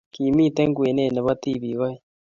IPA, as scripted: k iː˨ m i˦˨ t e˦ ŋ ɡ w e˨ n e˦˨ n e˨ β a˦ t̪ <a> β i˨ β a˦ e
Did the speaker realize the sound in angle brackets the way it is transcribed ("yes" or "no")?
no